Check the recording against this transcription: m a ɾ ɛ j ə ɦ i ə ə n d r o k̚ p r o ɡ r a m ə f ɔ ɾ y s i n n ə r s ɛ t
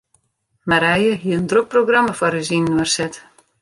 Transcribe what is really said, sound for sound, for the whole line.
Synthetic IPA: m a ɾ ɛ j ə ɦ i ə ə n d r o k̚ p r o ɡ r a m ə f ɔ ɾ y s i n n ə r s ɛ t